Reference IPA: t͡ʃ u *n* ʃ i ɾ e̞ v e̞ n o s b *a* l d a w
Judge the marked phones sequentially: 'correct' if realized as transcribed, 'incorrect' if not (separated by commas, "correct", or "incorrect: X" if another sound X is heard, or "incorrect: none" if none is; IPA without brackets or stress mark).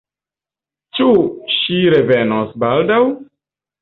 incorrect: none, correct